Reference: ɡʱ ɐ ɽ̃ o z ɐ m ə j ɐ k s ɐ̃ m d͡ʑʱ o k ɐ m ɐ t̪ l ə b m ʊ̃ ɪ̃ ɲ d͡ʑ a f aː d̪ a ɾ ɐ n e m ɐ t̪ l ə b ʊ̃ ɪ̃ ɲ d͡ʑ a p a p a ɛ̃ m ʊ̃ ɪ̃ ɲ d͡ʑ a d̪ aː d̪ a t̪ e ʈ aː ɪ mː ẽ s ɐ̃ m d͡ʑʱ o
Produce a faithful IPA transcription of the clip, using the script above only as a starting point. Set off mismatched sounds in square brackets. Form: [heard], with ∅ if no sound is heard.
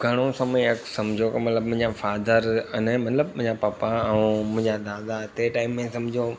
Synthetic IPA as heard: ɡʱ ɐ ɽ̃ o [s] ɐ m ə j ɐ k s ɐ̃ m d͡ʑʱ o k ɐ m ɐ t̪ l ə b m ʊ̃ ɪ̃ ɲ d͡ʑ a f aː d̪ [ə] ɾ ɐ n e m ɐ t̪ l ə b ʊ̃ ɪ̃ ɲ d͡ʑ a p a p a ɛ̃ m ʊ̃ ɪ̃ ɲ d͡ʑ a d̪ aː d̪ a t̪ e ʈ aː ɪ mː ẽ s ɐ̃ m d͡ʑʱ o

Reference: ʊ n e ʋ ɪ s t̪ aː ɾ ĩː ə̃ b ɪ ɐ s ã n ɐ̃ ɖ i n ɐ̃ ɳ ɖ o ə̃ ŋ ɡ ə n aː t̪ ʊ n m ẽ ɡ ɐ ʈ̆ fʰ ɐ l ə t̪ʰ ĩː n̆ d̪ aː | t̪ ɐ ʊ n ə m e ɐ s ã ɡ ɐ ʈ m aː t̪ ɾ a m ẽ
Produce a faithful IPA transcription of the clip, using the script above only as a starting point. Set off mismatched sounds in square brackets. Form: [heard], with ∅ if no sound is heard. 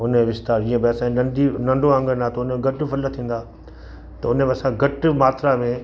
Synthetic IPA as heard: ʊ n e ʋ ɪ s t̪ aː ɾ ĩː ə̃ b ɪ ɐ s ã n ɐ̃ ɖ i n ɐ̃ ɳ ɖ o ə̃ ŋ ɡ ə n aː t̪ ʊ n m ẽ ɡ ɐ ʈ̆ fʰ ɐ l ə t̪ʰ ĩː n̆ d̪ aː | t̪ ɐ ʊ n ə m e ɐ s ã ɡ ɐ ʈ m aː t̪ ɾ a m ẽ

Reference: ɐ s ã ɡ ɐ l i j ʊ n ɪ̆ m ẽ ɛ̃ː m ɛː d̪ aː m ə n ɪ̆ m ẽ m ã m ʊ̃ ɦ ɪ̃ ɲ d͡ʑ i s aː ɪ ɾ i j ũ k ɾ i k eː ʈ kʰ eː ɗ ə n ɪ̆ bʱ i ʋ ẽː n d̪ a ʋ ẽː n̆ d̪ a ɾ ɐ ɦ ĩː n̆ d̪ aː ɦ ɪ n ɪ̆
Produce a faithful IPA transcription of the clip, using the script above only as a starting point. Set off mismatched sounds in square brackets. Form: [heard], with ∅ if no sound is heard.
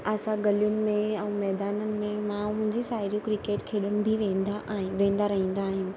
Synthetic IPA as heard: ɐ s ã ɡ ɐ l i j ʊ n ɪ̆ m ẽ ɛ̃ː m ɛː d̪ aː [n] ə n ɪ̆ m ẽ m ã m ʊ̃ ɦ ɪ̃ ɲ d͡ʑ i s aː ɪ ɾ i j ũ k ɾ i k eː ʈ kʰ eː ɗ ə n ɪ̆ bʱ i ʋ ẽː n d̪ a ʋ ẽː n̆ d̪ a ɾ ɐ ɦ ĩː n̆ d̪ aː ɦ ɪ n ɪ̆

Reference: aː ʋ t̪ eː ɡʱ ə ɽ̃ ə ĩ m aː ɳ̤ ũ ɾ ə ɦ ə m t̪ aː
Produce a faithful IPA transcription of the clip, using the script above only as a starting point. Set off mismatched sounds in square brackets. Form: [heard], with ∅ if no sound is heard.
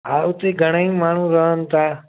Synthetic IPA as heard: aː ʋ t̪ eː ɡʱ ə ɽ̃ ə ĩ m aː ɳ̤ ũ ɾ ə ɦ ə [n] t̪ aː

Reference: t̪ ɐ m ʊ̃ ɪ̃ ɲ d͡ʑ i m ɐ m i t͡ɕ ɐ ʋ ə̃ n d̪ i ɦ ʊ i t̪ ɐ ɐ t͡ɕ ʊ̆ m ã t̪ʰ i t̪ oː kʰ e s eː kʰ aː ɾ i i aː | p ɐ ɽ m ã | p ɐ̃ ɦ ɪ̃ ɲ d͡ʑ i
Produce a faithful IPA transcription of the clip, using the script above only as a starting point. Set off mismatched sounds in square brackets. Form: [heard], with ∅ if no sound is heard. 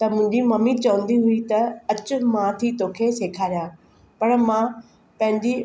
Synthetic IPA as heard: t̪ ɐ m ʊ̃ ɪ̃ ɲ d͡ʑ i m ɐ m i t͡ɕ ɐ ʋ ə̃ n d̪ i ɦ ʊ i t̪ ɐ ɐ t͡ɕ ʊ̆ m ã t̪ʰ i t̪ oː kʰ e s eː kʰ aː ɾ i [j] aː | p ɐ ɽ m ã | p ɐ̃ ɦ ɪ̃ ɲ d͡ʑ i

